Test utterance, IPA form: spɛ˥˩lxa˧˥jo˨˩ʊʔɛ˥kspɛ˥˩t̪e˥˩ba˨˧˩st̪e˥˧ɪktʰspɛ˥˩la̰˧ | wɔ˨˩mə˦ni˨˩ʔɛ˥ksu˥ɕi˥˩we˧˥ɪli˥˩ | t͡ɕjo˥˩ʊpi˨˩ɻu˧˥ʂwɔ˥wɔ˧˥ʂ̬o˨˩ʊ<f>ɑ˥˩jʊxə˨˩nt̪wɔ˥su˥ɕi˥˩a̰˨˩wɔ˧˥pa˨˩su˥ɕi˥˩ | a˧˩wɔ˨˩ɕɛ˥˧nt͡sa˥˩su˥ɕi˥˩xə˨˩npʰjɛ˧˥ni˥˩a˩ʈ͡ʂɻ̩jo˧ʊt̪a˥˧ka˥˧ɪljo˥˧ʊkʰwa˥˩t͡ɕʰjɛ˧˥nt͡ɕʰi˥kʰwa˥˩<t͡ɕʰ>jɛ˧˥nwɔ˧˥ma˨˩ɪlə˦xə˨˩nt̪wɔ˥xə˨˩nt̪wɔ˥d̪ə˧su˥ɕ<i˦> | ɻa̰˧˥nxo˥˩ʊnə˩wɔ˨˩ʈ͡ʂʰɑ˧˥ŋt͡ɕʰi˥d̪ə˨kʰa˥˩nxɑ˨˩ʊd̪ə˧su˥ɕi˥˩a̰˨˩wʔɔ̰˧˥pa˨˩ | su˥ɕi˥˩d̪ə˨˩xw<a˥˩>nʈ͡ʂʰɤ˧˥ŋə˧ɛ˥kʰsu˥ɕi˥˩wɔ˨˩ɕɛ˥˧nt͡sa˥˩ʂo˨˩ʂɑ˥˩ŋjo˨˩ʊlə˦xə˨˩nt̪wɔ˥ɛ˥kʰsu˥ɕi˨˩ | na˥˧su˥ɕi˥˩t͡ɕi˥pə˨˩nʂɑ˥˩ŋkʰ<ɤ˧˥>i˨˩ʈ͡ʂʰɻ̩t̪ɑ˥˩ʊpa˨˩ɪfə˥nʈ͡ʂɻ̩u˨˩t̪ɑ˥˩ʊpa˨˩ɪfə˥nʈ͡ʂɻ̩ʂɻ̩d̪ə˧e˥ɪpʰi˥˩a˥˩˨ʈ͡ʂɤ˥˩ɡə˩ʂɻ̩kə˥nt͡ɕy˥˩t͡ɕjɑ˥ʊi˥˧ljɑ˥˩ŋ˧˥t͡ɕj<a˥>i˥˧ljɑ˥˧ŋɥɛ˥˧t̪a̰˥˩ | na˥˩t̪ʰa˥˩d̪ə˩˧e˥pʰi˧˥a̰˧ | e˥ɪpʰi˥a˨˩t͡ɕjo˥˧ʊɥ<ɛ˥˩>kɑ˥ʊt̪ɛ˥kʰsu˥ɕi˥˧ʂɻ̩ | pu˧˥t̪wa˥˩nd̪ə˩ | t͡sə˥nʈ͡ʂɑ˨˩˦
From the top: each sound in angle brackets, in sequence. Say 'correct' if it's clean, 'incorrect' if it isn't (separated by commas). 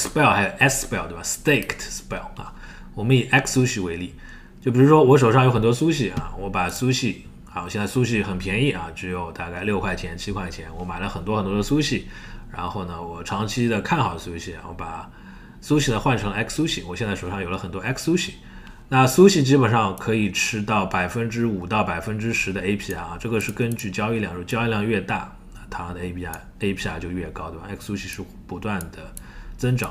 incorrect, correct, incorrect, correct, correct, incorrect, correct